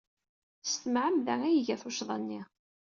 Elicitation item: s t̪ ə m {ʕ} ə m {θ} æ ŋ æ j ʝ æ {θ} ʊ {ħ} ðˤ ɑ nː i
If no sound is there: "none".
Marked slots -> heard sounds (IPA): ʕ, ð, θ, ʃ

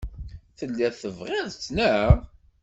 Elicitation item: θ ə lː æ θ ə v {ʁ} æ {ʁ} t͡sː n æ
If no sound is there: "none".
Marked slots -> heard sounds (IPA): ʁ, ð

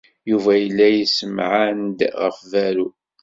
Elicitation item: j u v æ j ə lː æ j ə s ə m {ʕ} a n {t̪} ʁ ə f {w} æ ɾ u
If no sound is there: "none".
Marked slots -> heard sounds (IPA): ʕ, d̪, v

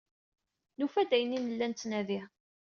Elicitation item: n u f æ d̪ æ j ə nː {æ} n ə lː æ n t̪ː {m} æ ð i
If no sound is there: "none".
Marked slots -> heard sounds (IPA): i, n

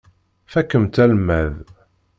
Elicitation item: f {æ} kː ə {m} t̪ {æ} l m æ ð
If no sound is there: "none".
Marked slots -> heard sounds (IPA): æ, m, æ

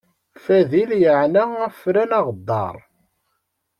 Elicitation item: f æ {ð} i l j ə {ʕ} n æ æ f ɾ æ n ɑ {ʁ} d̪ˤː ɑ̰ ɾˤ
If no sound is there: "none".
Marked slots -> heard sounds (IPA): ð, ʕ, ʁ

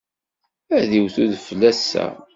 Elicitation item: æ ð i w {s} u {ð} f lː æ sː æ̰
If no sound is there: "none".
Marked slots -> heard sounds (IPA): θ, ð

